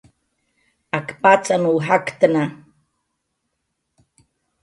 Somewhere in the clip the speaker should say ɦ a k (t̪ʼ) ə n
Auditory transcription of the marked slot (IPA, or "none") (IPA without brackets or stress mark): t̪